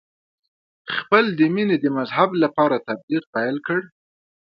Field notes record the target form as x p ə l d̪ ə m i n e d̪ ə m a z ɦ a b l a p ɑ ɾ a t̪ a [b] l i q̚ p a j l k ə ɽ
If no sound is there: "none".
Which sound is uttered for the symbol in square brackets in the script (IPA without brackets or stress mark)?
b